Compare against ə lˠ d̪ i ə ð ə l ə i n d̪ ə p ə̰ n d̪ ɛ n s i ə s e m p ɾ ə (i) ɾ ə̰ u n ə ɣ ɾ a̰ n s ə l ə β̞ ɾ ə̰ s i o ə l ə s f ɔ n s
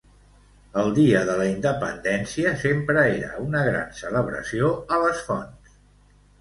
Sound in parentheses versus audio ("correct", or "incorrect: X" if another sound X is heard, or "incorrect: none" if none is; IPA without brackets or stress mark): incorrect: e